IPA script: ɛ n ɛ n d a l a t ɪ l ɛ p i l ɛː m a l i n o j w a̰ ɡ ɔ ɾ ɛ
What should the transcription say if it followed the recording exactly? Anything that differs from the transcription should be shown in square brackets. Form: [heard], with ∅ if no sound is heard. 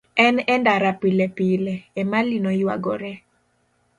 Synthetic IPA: ɛ n ɛ n d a [ɾ] a [p] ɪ l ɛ p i l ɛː m a l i n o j w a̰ ɡ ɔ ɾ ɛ